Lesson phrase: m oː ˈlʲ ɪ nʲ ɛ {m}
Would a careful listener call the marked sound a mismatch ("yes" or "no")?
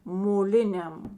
no